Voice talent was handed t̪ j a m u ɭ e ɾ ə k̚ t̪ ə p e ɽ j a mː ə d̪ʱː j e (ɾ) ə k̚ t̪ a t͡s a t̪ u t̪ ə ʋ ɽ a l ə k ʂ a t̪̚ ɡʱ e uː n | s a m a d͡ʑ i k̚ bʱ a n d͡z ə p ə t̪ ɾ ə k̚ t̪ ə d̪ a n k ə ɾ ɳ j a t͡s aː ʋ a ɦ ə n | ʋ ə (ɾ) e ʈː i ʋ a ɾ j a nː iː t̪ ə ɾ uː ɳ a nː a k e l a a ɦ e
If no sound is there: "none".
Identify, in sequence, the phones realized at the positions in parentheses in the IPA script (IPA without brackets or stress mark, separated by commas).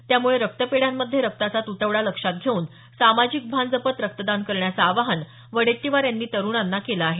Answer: ɾ, ɽ